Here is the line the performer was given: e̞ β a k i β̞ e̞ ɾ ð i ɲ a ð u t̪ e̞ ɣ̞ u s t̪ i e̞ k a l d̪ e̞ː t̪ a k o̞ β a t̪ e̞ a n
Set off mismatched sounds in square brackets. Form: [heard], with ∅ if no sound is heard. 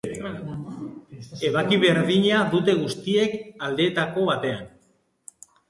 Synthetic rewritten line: e̞ β a k i β̞ e̞ ɾ ð i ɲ a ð u t̪ e̞ ɣ̞ u s t̪ i e̞ k a l d̪ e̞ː t̪ a k o̞ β a t̪ e̞ a n